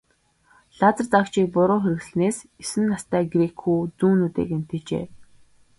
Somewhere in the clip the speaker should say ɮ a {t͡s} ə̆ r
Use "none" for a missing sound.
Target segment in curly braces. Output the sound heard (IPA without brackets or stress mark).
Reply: t͡s